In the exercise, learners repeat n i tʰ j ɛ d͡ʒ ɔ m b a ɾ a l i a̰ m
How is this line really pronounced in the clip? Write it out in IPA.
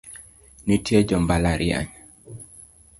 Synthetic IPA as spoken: n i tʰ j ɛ d͡ʒ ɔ m b a l a ɾ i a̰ ɲ